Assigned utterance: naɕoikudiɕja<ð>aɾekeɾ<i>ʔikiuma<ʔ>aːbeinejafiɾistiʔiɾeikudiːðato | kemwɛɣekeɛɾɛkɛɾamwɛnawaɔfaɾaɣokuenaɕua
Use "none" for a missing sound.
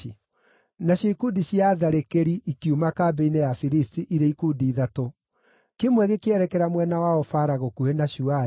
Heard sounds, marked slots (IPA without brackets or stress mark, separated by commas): ð, i, k